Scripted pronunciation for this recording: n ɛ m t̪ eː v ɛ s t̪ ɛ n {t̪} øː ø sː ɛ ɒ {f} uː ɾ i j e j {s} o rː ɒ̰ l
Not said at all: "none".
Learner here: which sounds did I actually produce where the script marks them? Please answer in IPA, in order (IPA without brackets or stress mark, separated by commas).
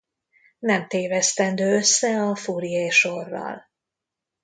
d̪, f, ʃ